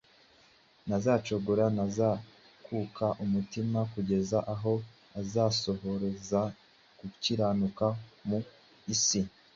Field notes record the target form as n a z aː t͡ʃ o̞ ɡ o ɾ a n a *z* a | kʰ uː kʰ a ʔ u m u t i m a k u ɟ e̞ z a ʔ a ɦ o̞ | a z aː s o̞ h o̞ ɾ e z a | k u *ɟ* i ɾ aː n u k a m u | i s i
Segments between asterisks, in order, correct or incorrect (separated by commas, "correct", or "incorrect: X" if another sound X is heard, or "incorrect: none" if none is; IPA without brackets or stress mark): correct, incorrect: c